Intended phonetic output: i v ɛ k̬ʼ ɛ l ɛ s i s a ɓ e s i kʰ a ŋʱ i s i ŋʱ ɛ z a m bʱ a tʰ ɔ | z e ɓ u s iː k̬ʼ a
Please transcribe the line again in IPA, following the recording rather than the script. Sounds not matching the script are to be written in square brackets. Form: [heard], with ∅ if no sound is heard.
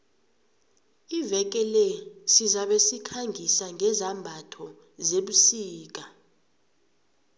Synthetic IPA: i v ɛ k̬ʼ ɛ l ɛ s i [z] a ɓ e s i kʰ a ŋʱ i s [a] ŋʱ ɛ z a m bʱ a tʰ ɔ | z e ɓ u s iː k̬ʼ a